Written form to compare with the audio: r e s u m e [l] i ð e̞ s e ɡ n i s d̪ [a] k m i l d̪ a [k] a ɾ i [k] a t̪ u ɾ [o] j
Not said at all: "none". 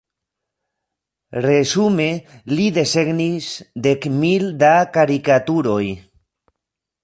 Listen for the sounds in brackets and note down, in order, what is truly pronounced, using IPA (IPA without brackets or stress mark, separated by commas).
l, e, k, k, o